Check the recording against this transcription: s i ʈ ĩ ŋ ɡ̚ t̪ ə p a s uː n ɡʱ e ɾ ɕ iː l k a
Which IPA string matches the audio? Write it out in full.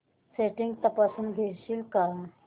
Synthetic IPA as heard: s e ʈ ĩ ŋ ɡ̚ t̪ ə p a s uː n ɡʱ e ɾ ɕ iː l k a